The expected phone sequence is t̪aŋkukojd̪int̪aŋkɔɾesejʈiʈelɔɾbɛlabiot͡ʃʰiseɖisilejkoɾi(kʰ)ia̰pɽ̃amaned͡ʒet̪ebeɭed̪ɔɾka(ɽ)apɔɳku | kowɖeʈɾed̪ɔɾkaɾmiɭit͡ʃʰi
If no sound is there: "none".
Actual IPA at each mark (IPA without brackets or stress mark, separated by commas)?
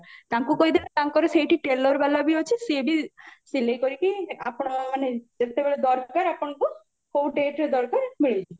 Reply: k, ɾ